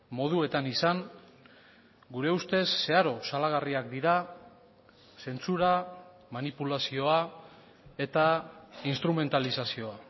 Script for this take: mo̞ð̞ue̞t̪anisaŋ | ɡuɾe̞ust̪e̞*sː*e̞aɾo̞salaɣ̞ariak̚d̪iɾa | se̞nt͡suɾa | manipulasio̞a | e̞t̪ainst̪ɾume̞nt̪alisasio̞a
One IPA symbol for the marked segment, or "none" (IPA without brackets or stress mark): sː